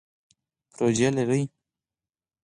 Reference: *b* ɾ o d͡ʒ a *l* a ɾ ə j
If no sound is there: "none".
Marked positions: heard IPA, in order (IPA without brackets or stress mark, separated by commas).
p, l